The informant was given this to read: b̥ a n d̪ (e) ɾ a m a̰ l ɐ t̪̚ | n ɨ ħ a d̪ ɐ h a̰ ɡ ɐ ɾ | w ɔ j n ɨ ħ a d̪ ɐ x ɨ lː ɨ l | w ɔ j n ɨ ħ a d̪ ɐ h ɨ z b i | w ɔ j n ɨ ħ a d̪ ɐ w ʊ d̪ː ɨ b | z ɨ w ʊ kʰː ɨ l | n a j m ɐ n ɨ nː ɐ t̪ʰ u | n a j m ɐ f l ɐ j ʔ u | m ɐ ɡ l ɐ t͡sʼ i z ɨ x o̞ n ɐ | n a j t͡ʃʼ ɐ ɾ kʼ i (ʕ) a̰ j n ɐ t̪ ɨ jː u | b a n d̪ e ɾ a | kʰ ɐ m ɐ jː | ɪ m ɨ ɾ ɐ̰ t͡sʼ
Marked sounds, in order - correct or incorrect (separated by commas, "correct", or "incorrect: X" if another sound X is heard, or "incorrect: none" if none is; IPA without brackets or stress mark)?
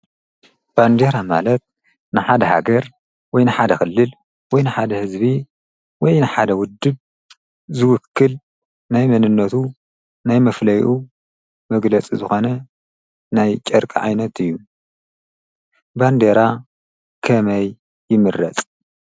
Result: correct, correct